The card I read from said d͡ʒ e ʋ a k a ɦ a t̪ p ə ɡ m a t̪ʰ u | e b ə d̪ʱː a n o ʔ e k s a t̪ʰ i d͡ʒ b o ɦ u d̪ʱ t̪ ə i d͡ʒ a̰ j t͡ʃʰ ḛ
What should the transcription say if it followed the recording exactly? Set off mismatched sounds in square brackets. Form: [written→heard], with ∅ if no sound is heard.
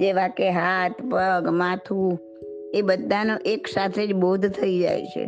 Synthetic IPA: d͡ʒ e ʋ a k [a→e] ɦ a t̪ p ə ɡ m a t̪ʰ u | e b ə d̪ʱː a n o ʔ e k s a t̪ʰ [i→e] d͡ʒ b o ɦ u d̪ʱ [t̪→t̪ʰ] ə i d͡ʒ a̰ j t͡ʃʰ ḛ